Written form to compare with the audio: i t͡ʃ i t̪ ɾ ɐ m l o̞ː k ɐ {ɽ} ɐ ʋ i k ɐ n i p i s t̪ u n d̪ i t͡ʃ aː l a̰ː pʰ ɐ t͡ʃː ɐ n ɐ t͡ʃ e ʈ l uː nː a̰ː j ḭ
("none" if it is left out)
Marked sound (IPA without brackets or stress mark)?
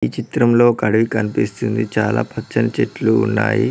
ɽ